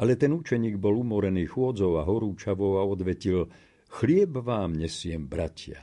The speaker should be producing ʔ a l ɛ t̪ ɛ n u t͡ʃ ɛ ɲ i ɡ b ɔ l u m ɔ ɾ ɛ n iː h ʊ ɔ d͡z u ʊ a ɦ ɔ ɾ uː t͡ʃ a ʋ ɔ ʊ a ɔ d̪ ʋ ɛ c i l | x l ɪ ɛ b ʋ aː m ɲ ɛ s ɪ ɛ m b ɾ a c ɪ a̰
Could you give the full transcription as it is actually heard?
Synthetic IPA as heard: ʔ a l ɛ t̪ ɛ n u t͡ʃ ɛ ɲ iː ɡ b ɔ l u m ɔ ɾ ɛ n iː x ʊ ɔ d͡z ɔ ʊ a ɦ ɔ ɾ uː t͡ʃ a ʋ ɔ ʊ a ɔ d̪ ʋ ɛ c i l | x l ɪ ɛ b ʋ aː m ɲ ɛ s ɪ ɛ m b ɾ a c ɪ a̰